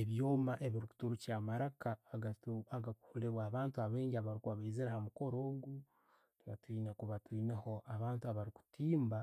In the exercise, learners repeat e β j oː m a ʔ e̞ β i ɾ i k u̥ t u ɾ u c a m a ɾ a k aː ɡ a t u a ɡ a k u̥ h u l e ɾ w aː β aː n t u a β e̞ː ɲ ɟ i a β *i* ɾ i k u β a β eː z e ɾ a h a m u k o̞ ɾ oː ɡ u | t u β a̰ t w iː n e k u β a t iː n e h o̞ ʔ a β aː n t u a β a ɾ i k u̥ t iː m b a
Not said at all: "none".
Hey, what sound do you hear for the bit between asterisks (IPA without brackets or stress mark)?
a